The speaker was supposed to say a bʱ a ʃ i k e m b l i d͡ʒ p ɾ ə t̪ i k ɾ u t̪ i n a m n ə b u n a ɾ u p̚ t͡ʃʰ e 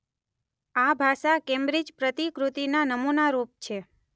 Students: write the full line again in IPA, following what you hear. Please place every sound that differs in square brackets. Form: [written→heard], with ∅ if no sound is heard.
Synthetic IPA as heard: a bʱ a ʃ [i→a] k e m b [l→ɾ] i d͡ʒ p ɾ ə t̪ i k ɾ u t̪ i n a [m→∅] n ə [b→m] u n a ɾ u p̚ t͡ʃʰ e